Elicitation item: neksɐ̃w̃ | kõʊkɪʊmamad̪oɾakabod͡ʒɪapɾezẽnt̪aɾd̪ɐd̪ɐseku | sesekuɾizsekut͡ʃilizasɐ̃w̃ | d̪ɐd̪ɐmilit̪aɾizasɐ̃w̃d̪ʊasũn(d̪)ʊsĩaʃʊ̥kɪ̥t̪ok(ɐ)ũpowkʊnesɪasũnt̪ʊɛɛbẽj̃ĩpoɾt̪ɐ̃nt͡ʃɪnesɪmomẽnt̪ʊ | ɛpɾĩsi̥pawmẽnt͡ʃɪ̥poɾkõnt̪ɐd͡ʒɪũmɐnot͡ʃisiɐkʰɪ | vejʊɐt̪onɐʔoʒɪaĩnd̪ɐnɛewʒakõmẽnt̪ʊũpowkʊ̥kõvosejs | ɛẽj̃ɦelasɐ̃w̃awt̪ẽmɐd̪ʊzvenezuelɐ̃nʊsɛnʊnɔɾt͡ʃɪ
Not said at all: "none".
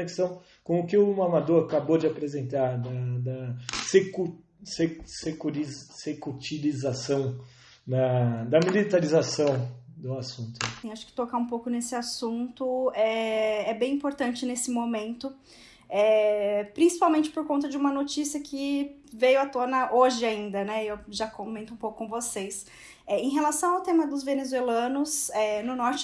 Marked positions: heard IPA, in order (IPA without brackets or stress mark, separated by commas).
t̪, a